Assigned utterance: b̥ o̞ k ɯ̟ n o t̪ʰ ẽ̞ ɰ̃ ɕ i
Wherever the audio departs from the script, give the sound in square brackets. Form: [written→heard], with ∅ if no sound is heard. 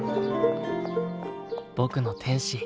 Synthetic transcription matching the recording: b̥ o̞ k ɯ̟ n o t̪ʰ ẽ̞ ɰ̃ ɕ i